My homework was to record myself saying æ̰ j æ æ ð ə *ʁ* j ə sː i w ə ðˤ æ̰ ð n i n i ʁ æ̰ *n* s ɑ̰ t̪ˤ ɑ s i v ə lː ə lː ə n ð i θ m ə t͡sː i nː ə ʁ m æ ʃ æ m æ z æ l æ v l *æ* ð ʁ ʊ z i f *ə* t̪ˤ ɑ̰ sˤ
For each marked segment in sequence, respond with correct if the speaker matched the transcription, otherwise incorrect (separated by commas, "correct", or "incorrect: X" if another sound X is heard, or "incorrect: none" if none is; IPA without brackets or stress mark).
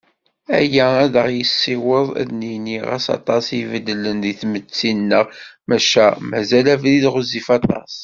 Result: correct, incorrect: none, incorrect: i, incorrect: ɑ